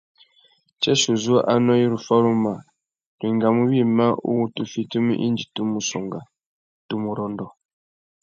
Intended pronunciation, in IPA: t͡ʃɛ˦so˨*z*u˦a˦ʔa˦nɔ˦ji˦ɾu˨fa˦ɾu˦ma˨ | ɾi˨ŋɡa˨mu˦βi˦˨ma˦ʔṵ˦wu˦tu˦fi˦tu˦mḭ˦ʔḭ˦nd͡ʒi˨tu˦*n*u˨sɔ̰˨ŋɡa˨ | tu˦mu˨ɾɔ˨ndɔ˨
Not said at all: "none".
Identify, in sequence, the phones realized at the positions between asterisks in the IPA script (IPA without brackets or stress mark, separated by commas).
z, m